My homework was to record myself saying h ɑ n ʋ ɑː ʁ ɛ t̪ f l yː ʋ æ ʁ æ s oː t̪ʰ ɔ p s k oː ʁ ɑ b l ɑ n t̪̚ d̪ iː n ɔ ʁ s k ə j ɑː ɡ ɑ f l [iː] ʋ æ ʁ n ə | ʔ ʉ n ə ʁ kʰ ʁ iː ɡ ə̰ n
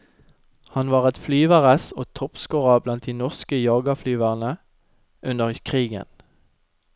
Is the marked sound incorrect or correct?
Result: incorrect